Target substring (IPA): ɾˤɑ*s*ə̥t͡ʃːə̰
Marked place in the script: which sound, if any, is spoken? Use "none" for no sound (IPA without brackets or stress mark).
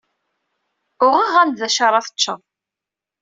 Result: θ